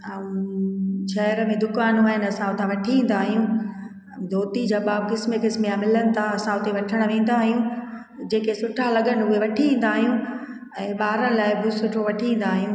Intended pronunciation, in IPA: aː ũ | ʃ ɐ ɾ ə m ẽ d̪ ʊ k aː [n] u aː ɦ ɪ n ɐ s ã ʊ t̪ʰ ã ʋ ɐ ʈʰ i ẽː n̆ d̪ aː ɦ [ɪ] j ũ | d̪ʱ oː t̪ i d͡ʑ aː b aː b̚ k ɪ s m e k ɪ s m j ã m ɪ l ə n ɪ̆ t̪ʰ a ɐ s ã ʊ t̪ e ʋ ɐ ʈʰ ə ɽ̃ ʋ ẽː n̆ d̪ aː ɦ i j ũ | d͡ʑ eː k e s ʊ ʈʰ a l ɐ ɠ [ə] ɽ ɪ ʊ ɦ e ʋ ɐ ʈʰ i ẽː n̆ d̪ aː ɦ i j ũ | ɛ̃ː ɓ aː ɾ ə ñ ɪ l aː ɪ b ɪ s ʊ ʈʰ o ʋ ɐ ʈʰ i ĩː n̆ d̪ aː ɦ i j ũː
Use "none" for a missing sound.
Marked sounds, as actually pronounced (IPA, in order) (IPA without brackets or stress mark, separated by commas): n, i, ə